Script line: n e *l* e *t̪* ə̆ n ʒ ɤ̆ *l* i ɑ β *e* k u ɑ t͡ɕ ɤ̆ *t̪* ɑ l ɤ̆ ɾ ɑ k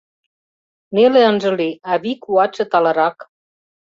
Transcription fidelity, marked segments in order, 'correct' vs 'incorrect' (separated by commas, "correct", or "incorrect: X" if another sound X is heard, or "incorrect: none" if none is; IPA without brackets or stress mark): correct, incorrect: none, correct, incorrect: i, correct